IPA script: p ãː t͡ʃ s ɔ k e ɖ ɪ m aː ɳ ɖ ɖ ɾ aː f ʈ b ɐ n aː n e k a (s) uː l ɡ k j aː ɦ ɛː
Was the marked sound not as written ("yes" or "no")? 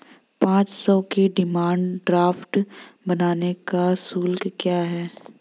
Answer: no